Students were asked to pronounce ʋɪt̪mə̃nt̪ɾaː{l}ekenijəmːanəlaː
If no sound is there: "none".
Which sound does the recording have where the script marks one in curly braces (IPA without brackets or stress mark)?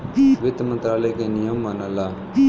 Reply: l